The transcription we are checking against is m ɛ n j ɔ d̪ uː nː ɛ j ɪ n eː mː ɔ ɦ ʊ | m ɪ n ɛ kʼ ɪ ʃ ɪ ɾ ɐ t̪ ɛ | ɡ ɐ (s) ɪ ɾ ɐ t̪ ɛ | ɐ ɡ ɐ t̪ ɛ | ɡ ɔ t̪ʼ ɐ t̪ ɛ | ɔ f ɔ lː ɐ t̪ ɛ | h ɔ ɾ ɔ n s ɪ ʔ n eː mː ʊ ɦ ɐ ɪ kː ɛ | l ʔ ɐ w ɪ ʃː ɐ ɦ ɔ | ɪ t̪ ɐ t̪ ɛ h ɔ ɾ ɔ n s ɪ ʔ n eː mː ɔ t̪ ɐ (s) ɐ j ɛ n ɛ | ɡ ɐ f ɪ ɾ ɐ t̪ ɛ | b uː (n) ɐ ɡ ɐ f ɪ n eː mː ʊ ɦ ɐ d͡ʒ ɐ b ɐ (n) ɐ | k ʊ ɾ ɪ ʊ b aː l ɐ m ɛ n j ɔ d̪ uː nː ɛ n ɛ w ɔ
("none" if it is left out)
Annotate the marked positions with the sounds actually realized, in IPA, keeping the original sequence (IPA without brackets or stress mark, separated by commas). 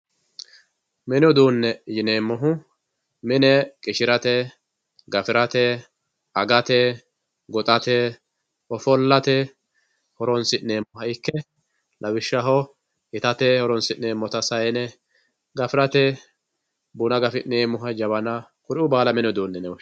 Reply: f, s, n, n